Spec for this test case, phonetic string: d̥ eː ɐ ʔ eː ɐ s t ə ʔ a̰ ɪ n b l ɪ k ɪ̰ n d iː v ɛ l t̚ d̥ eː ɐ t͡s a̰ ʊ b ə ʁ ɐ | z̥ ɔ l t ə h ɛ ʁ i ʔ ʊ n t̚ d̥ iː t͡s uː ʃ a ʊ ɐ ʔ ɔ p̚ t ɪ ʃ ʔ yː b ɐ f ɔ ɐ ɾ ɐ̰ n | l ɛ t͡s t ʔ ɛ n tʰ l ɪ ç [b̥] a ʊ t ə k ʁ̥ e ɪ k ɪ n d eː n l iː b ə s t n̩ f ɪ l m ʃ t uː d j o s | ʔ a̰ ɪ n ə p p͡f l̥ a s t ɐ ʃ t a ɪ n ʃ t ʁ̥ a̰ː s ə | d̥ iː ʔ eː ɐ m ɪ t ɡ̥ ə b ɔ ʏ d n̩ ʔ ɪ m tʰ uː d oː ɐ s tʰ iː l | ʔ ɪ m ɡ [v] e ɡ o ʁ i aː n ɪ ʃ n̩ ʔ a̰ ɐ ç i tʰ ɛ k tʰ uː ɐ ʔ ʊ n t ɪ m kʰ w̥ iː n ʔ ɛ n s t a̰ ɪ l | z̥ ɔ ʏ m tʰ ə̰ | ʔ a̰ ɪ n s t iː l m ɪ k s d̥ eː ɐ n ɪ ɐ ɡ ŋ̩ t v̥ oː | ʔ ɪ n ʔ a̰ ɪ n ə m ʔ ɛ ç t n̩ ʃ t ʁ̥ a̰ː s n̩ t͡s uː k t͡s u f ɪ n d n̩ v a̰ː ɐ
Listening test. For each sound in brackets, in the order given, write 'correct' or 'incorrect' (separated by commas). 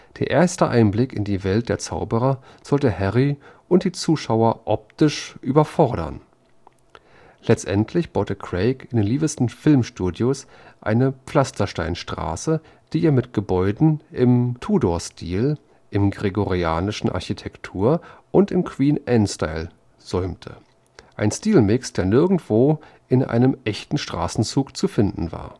correct, incorrect